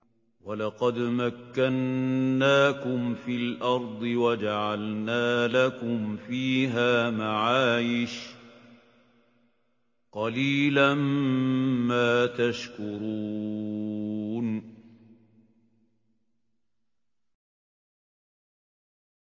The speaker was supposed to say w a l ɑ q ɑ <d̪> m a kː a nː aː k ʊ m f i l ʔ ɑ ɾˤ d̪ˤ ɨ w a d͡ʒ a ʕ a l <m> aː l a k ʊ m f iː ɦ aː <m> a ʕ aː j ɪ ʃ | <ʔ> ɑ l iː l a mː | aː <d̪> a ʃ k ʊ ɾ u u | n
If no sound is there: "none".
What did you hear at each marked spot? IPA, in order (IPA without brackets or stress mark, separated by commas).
d̪, n, m, q, t̪